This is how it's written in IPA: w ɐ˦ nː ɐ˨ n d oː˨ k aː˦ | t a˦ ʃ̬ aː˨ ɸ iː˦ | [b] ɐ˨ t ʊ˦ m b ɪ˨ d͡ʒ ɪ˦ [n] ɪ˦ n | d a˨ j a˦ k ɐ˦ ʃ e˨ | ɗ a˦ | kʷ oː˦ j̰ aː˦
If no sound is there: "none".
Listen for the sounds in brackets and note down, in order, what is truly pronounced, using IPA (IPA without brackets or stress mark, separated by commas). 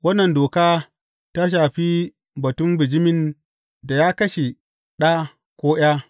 b, m